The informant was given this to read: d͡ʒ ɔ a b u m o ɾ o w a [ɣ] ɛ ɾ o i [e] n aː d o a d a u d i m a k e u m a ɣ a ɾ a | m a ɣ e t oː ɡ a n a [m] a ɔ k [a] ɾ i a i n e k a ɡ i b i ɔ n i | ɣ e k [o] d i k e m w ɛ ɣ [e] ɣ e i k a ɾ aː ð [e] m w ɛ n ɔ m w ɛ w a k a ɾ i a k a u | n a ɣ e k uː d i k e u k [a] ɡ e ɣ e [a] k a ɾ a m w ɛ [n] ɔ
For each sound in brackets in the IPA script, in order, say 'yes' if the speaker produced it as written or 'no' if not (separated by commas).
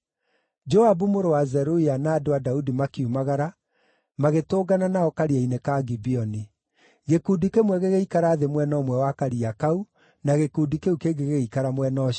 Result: no, no, no, yes, no, yes, yes, no, no, yes